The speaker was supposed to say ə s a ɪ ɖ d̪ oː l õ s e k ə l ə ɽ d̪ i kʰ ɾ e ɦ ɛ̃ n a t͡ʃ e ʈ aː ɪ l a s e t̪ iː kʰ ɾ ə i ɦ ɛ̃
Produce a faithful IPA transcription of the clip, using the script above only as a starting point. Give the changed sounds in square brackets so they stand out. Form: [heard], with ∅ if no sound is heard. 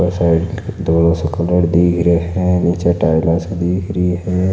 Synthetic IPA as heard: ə s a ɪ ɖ d̪ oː l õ s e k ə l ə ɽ d̪ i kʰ ɾ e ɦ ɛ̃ n [i] t͡ʃ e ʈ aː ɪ l a s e [d̪] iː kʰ ɾ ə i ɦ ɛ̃

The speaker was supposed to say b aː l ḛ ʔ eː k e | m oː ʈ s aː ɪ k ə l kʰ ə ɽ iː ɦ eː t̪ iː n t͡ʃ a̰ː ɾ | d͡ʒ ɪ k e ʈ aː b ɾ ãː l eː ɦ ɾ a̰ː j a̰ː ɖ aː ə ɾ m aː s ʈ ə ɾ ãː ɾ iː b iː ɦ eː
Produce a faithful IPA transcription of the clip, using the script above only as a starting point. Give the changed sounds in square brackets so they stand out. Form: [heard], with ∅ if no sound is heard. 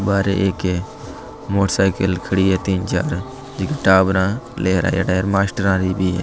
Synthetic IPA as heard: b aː [ɾ] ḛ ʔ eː k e | m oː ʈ s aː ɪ k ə l kʰ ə ɽ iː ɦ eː t̪ iː n t͡ʃ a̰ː ɾ | d͡ʒ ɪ k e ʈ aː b ɾ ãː l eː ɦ ɾ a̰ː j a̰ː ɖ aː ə ɾ m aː s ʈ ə ɾ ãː ɾ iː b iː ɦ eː

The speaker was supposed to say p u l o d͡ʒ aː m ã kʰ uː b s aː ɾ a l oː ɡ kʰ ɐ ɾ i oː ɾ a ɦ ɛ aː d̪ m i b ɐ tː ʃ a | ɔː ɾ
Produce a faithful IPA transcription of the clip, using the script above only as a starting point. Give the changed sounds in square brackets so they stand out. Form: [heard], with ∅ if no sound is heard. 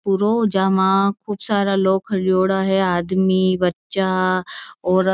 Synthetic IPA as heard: p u [ɾ] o d͡ʒ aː m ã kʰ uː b s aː ɾ a l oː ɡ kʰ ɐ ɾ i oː [ɽ] a ɦ ɛ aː d̪ m i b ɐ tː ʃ a | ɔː ɾ

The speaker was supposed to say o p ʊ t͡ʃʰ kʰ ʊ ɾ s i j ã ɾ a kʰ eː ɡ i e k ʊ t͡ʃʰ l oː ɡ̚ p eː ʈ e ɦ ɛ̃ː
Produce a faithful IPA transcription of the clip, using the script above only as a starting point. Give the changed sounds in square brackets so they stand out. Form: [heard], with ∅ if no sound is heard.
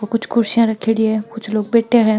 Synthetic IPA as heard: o [k] ʊ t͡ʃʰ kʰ ʊ ɾ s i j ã ɾ [ɐ] kʰ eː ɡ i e k ʊ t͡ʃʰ l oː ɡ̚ [b] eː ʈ e ɦ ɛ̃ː

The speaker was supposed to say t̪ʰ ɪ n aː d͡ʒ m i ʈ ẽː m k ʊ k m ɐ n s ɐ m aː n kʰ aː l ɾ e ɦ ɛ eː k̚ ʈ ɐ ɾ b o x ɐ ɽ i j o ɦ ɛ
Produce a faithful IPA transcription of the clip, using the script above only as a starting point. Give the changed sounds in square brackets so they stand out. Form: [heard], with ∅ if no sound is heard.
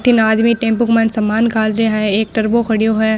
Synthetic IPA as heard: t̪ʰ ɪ n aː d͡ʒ m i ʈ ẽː m [p] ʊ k m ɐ n s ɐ m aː n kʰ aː l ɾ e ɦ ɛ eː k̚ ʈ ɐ ɾ b o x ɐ ɽ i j o ɦ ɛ

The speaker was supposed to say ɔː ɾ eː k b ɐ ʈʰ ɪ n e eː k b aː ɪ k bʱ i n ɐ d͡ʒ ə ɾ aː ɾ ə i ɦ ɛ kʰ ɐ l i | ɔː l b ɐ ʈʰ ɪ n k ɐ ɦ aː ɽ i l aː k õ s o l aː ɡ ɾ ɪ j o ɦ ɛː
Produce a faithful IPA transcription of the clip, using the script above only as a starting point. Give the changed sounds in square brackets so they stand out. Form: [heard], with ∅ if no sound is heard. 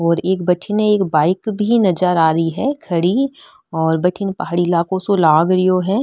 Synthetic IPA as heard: ɔː ɾ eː k b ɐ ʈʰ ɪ n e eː k b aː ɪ k bʱ i n ɐ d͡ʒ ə ɾ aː ɾ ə i ɦ ɛ kʰ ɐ [ɽ] i | ɔː [ɾ] b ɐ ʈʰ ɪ n [p] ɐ ɦ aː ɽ i l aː k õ s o l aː ɡ ɾ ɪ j o ɦ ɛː

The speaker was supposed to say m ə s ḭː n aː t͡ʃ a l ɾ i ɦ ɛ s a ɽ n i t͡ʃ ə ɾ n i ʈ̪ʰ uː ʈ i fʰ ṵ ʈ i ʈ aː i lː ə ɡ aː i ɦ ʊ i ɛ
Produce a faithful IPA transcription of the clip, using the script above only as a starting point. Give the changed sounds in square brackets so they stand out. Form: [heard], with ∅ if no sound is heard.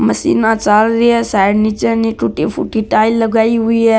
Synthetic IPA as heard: m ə s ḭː n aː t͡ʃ a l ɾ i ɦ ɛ s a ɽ n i t͡ʃ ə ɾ n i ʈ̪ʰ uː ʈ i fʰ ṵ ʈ i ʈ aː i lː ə ɡ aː i ɦ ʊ i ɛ

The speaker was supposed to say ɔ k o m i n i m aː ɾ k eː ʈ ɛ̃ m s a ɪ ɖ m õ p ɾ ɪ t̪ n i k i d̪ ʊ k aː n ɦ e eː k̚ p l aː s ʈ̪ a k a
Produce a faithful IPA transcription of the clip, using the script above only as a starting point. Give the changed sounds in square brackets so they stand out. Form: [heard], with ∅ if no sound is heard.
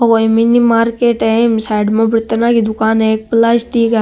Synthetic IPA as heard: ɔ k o m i n i m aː ɾ k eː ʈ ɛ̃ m s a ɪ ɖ m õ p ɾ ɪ t̪ n [a] k i d̪ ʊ k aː n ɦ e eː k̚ p l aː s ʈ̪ [i] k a

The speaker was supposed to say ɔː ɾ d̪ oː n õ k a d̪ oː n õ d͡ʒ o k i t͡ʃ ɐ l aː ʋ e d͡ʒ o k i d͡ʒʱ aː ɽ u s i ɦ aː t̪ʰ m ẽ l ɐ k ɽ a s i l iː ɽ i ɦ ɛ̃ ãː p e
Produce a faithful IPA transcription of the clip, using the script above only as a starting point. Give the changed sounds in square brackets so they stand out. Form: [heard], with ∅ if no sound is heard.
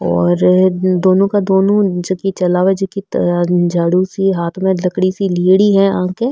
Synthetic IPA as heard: ɔː ɾ d̪ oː n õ k a d̪ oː n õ d͡ʒ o k i t͡ʃ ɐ l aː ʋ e d͡ʒ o k i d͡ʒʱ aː ɽ u s i ɦ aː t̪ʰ m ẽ l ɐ k ɽ [i] s i l iː ɽ i ɦ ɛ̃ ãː [k] e

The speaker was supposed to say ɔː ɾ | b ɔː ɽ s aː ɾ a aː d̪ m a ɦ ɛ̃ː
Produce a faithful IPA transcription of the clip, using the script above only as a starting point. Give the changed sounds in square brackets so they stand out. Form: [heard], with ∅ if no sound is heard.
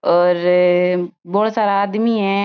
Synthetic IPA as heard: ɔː ɾ | b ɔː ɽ s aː ɾ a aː d̪ m [i] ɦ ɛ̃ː

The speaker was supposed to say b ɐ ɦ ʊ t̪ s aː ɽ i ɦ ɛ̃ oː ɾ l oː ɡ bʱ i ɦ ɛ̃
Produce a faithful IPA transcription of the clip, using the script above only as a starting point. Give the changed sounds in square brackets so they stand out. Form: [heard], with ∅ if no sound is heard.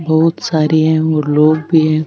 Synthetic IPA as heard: b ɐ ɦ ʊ t̪ s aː [ɾ] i ɦ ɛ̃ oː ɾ l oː ɡ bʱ i ɦ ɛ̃

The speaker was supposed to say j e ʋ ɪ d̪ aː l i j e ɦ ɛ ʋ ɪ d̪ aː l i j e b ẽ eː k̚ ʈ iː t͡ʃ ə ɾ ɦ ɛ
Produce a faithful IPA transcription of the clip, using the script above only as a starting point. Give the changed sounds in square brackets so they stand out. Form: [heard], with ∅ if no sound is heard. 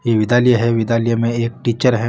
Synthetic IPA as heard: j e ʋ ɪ d̪ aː l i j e ɦ ɛ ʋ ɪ d̪ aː l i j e [m] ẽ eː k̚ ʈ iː t͡ʃ ə ɾ ɦ ɛ

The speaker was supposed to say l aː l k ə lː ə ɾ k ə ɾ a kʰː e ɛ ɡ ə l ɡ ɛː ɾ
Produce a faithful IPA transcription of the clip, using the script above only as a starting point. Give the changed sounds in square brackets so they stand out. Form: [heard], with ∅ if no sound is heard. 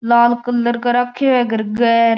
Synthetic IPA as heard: l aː l k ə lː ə ɾ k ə ɾ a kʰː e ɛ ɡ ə [ɾ] ɡ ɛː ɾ

